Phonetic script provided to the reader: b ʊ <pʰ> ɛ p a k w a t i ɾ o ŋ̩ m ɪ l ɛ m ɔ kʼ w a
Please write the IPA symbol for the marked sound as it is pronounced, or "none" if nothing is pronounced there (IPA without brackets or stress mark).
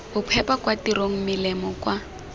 pʰ